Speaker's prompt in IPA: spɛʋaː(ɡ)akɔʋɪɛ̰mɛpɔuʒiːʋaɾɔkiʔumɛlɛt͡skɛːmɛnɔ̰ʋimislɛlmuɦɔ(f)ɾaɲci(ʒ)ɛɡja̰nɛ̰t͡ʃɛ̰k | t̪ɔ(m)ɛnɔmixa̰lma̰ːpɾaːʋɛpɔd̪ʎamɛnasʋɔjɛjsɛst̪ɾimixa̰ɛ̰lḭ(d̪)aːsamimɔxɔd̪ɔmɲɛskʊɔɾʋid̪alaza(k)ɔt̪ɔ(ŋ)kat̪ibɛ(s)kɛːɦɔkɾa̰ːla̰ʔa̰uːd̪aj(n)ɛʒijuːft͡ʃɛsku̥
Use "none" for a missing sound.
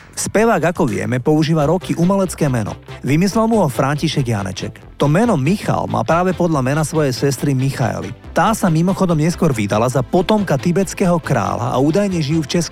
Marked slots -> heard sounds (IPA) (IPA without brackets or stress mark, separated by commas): ɡ, f, ʃ, m, t̪, p, m, t͡s, ɲ